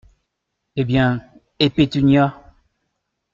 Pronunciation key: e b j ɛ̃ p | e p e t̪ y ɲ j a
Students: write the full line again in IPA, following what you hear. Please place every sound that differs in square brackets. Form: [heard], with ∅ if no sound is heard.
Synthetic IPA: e b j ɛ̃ [∅] | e p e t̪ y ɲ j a